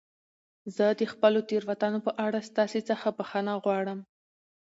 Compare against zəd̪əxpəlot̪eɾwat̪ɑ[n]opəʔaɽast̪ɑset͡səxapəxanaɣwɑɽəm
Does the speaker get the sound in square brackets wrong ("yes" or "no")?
no